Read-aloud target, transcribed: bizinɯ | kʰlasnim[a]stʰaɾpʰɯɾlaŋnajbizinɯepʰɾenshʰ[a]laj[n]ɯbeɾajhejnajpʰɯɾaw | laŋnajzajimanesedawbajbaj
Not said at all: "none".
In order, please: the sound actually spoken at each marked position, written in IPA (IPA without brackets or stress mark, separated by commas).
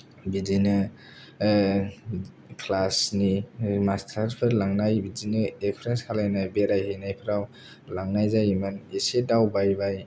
a, a, n